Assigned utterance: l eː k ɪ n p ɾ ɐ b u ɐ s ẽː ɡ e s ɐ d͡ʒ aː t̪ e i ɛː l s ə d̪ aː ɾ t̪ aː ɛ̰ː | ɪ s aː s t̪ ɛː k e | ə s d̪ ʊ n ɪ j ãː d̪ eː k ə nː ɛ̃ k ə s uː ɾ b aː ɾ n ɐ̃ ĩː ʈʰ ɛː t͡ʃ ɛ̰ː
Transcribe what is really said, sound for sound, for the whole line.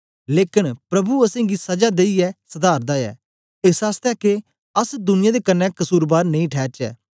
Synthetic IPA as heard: l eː k ɪ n p ɾ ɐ b u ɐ s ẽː ɡ i s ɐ d͡ʒ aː d̪ e i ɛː s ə d̪ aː ɾ d̪ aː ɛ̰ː | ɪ s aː s t̪ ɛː k e | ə s d̪ ʊ n ɪ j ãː d̪ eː k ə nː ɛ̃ k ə s uː ɾ b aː ɾ n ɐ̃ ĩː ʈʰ ɛː t͡ʃ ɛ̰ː